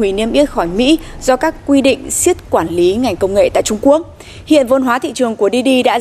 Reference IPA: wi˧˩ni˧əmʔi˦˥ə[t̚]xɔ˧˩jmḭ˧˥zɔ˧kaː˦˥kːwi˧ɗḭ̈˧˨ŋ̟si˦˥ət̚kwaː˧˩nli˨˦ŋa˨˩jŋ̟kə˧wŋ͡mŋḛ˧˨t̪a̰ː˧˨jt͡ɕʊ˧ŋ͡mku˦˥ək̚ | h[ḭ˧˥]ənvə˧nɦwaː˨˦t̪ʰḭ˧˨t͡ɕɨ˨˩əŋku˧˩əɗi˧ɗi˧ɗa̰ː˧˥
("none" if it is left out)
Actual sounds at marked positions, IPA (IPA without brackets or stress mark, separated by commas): t̚, ḭ˧˨